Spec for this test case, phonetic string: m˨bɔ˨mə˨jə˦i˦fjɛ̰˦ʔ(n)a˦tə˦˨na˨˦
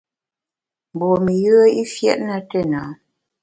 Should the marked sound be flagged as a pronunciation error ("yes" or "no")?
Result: no